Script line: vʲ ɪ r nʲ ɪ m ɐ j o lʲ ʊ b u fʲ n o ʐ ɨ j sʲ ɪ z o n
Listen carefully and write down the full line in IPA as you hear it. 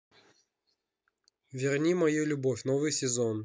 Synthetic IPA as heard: vʲ ɪ r nʲ i m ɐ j u lʲ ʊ b o fʲ n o v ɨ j sʲ ɪ z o n